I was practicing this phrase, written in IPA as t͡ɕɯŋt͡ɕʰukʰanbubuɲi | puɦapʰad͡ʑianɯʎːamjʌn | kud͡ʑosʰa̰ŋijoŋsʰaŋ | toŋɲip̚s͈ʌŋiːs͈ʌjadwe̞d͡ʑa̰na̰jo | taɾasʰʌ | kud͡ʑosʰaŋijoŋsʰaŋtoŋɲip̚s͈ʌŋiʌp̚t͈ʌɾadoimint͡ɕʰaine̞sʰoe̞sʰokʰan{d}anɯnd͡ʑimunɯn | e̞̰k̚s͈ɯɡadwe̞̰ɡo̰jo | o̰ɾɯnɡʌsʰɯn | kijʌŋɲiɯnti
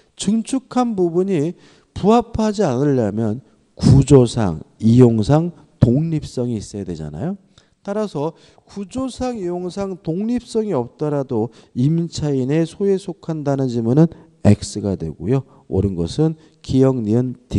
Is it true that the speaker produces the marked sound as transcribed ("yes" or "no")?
yes